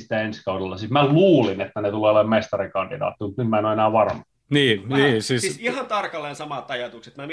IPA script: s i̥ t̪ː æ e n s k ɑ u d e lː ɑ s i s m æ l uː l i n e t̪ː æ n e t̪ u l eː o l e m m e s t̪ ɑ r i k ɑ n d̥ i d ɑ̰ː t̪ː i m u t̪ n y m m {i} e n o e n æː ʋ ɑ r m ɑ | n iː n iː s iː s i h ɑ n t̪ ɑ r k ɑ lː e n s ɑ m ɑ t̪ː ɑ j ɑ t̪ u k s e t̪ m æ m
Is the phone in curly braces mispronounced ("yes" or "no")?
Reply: yes